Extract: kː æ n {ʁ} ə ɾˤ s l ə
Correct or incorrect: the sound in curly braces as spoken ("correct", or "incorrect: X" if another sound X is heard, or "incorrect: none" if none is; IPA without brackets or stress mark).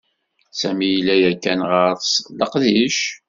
correct